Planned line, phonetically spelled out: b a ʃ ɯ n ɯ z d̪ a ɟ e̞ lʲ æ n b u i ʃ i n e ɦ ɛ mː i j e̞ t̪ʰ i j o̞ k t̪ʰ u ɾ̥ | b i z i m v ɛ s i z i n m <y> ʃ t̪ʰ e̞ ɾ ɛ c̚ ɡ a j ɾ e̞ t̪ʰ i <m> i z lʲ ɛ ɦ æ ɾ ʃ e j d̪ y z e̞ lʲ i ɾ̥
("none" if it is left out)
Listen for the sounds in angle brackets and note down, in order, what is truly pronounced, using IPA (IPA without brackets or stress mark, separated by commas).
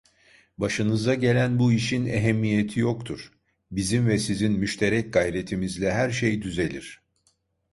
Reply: y, m